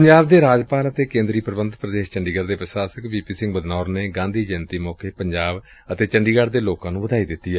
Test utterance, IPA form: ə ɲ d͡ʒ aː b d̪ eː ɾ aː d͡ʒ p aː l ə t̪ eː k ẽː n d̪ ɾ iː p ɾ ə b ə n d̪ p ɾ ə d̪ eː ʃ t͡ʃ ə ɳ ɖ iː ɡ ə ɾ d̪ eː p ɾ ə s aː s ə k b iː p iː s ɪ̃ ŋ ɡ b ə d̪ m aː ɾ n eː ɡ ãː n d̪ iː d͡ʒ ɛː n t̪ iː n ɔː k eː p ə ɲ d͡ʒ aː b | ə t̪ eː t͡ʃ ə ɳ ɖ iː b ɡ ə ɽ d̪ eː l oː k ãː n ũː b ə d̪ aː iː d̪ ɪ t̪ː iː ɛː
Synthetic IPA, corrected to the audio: ə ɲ d͡ʒ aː b d̪ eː ɾ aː d͡ʒ p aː l ə t̪ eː k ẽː n d̪ ɾ iː p ɾ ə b ə n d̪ p ɾ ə d̪ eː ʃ t͡ʃ ə ɳ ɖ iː ɡ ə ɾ d̪ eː p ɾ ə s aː s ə k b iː p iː s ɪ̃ ŋ ɡ b ə d̪ n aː ɾ n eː ɡ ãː n d̪ iː d͡ʒ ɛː n t̪ iː m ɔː k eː p ə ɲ d͡ʒ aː b | ə t̪ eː t͡ʃ ə ɳ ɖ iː ɡ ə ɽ d̪ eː l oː k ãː n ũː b ə d̪ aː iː d̪ ɪ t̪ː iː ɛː